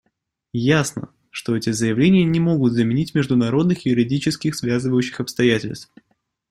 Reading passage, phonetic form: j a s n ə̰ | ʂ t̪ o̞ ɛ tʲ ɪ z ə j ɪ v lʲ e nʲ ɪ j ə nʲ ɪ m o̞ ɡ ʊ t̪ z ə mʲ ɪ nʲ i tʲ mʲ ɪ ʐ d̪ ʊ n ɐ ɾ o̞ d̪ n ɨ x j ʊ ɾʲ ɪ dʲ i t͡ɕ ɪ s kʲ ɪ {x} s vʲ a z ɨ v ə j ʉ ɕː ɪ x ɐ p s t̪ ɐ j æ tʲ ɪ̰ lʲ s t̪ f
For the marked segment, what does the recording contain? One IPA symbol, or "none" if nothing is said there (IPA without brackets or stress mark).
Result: x